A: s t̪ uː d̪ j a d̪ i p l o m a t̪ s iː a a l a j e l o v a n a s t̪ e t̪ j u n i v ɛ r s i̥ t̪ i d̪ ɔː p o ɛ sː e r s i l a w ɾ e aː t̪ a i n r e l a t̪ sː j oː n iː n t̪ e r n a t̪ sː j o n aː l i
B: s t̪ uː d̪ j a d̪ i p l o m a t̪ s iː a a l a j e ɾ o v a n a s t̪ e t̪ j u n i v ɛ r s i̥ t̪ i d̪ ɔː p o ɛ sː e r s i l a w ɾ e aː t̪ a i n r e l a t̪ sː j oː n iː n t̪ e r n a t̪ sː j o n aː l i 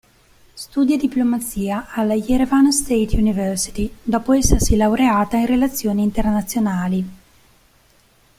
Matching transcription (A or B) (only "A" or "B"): B